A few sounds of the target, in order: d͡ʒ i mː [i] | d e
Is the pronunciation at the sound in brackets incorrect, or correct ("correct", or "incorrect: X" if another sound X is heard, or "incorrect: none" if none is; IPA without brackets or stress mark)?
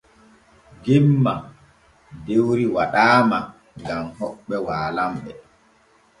incorrect: a